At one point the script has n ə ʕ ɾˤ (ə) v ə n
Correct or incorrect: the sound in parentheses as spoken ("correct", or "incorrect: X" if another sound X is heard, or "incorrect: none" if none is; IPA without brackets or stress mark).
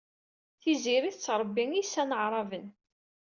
incorrect: ɑ